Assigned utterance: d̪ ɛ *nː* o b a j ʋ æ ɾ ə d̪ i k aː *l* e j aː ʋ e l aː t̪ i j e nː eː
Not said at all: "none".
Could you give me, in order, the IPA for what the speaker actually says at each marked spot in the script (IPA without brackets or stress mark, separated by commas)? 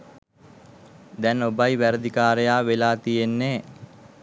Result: n, ɾ